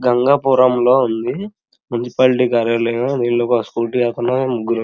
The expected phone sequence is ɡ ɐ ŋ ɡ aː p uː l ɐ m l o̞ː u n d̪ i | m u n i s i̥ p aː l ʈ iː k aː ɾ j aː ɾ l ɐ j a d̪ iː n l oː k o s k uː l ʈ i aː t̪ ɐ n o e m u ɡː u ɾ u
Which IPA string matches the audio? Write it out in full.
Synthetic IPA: ɡ ɐ ŋ ɡ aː p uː ɾ ɐ m l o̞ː u n d̪ i | m u n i s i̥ p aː l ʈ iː k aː ɾ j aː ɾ l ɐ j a d̪ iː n l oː k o s k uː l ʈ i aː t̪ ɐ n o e m u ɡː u ɾ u